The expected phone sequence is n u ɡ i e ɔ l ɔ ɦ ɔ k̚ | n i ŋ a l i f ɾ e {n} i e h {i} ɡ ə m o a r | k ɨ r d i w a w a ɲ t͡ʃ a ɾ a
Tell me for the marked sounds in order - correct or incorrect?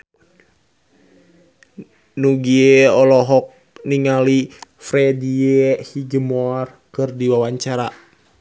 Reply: incorrect, correct

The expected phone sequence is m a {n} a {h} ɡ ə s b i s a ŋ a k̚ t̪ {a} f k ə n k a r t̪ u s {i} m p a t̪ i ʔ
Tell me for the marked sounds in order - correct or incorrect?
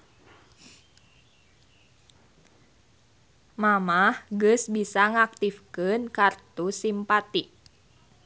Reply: incorrect, correct, incorrect, correct

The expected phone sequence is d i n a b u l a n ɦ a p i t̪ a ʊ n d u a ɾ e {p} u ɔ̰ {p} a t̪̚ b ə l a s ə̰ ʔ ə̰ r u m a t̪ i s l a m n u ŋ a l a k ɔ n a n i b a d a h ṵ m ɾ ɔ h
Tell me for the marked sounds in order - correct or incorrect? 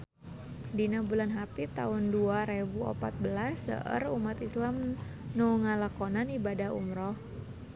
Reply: incorrect, correct

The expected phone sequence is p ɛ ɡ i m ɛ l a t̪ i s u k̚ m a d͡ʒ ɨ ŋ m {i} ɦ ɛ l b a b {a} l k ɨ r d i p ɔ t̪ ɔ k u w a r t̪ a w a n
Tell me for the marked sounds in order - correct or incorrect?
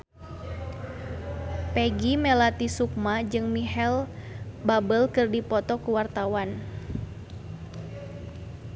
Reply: correct, incorrect

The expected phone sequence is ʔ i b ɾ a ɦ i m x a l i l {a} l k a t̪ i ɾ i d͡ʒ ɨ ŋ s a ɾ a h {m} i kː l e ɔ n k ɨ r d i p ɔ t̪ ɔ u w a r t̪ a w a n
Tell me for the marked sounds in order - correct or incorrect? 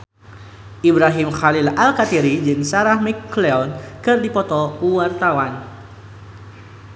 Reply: correct, correct

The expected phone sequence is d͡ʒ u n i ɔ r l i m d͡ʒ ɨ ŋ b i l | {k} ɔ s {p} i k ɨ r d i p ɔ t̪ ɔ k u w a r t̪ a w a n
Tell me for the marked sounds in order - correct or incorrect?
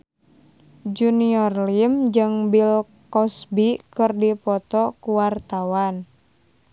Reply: correct, incorrect

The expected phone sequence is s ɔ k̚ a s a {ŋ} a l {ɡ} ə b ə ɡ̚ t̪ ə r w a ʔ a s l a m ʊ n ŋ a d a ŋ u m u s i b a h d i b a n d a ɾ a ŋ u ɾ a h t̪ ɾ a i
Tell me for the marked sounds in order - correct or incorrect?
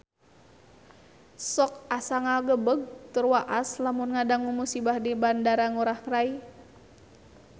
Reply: correct, correct

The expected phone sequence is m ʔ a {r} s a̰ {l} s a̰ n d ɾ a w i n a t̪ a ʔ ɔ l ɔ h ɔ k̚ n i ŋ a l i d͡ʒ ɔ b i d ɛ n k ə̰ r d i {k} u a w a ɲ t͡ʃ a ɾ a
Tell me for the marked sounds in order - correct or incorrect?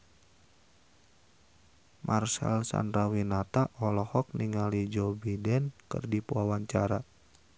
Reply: correct, correct, incorrect

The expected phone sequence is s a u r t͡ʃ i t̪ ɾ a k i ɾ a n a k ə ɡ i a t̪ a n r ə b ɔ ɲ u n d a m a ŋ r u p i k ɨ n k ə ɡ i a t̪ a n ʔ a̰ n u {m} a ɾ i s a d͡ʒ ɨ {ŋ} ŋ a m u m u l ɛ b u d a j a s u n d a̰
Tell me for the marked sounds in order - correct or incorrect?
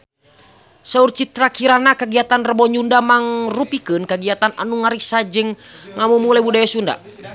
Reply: incorrect, correct

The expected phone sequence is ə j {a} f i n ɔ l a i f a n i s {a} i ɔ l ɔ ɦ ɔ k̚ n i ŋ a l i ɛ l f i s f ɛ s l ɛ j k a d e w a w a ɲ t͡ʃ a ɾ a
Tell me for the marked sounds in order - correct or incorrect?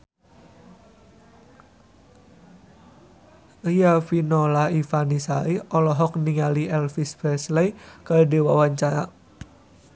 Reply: correct, correct

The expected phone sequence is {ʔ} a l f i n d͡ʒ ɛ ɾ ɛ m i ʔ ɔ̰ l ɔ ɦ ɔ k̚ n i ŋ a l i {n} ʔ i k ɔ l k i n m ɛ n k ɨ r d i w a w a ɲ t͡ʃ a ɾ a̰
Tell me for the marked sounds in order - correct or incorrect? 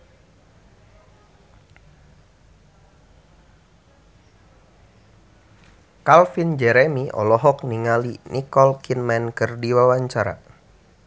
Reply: incorrect, correct

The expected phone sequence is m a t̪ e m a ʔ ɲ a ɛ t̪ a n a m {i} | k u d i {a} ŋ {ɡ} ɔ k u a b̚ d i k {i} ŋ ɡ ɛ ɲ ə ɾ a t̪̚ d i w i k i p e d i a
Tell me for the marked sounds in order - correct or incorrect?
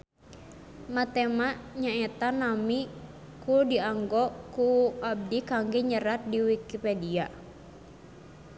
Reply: correct, correct, correct, incorrect

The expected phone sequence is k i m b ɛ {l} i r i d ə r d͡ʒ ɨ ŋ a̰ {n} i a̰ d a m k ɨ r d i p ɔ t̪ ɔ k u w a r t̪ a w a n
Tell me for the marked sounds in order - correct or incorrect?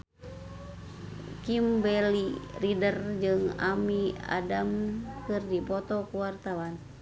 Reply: correct, incorrect

